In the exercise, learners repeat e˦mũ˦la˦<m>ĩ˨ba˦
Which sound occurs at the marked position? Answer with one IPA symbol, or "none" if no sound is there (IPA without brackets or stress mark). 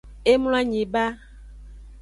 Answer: ɲ